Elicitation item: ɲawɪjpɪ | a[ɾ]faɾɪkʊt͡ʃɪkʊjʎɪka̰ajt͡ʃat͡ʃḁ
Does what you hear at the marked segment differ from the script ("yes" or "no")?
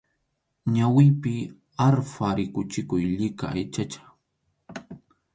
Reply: no